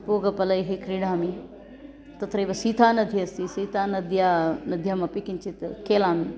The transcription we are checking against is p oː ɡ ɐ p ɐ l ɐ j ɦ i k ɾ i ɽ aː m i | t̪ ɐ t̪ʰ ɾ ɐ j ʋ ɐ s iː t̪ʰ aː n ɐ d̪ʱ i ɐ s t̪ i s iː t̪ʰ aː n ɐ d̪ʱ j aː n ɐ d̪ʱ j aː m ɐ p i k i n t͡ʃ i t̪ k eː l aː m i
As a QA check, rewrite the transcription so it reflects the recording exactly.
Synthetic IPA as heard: p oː ɡ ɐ p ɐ l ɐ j ɦ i k ɾ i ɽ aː m i | t̪ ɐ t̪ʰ ɾ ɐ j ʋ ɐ s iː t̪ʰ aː n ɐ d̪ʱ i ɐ s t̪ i s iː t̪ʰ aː n ɐ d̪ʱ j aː n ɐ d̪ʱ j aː m ɐ p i k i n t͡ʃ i t̪ k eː l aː m i